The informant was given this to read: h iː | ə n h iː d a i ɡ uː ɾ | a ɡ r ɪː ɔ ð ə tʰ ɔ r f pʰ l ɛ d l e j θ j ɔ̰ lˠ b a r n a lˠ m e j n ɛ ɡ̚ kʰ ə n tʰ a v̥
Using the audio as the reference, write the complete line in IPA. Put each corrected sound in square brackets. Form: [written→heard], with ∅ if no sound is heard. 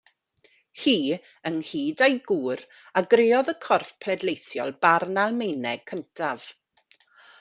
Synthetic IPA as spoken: h iː | ə n h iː d a [i→j] ɡ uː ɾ | a ɡ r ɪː ɔ ð ə [tʰ→kʰ] ɔ r f pʰ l ɛ d l e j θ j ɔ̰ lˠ b a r n a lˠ m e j n ɛ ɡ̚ kʰ ə n tʰ a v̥